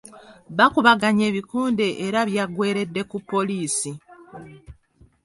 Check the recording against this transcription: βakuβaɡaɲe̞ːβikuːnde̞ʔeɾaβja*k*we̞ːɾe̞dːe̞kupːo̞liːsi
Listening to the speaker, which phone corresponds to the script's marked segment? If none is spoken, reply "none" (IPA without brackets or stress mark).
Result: ɡ